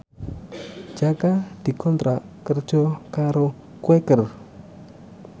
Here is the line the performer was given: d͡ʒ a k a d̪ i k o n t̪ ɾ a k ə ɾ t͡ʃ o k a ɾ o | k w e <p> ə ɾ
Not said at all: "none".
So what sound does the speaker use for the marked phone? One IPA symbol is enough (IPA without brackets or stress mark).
k